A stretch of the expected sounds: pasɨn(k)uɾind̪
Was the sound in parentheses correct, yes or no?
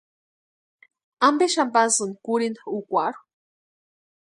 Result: yes